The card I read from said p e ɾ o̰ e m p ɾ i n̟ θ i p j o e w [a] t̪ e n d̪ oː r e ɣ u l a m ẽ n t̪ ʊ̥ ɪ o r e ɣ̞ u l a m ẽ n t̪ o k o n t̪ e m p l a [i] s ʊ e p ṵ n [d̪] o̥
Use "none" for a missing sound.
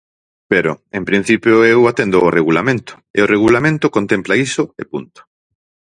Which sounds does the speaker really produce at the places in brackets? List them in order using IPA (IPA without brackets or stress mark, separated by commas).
a, i, t̪